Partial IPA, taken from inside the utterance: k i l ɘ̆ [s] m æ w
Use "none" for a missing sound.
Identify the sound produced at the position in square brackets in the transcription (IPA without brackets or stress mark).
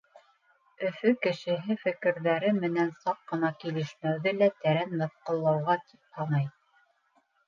ʃ